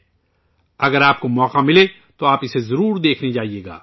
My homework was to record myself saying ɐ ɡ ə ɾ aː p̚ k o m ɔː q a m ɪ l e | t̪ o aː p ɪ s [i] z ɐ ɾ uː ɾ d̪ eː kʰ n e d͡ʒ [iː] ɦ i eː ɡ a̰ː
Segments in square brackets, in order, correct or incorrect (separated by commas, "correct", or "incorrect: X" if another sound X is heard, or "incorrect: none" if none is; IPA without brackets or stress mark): incorrect: e, incorrect: aː